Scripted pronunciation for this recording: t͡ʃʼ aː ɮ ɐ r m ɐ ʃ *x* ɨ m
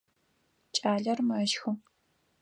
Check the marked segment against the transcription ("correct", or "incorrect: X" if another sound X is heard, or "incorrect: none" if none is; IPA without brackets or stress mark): correct